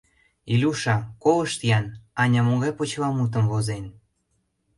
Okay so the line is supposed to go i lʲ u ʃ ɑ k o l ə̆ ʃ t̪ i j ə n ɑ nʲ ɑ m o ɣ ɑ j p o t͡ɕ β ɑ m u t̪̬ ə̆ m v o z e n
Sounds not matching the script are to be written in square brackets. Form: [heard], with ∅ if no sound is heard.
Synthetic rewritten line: i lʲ u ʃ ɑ k o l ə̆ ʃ t̪ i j [ɑ] n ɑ nʲ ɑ m o ɣ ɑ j p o t͡ɕ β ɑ m u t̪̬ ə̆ m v o z e n